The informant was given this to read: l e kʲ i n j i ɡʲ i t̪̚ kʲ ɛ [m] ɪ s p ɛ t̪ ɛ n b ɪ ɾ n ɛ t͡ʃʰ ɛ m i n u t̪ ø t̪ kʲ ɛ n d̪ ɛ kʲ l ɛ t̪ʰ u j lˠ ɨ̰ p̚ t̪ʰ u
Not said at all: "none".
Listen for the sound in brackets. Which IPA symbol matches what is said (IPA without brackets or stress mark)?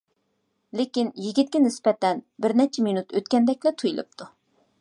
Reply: n